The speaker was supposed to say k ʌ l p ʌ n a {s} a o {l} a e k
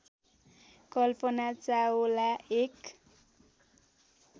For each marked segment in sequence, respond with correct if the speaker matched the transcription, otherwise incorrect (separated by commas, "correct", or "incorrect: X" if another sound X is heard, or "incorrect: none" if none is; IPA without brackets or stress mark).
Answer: incorrect: t͡s, correct